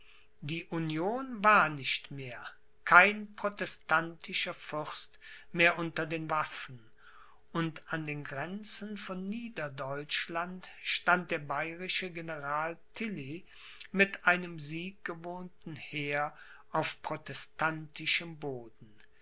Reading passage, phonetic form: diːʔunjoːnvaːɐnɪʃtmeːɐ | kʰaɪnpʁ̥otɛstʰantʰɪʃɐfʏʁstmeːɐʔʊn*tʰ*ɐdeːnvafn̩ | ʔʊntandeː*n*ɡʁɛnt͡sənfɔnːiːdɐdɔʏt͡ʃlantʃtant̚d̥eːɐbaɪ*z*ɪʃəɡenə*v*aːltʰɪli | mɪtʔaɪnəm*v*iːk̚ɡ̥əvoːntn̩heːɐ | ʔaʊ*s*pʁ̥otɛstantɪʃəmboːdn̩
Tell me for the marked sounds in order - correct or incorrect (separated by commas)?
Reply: incorrect, correct, incorrect, incorrect, incorrect, incorrect